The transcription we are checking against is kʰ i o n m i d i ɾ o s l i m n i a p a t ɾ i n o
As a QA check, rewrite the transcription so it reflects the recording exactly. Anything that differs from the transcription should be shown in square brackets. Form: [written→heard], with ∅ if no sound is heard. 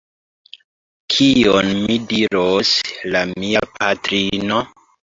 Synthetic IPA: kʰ i o n m i d i ɾ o s l [i→a] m [n→m] i a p a t ɾ i n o